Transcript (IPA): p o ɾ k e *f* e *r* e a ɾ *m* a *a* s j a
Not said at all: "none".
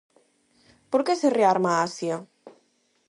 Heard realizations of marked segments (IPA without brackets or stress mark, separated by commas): s, r, m, a